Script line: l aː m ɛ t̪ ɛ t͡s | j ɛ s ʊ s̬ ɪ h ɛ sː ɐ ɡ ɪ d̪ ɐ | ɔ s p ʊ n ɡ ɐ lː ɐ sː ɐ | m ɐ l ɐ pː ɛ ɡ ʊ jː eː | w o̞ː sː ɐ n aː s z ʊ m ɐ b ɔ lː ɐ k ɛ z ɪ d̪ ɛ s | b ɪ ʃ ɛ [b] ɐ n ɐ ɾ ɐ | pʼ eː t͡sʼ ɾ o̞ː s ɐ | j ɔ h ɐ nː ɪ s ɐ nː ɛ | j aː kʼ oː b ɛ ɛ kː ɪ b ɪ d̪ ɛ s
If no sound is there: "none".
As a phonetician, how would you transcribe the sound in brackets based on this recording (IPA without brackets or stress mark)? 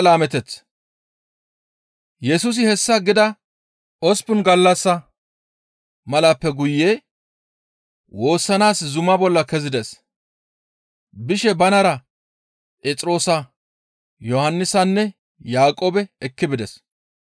b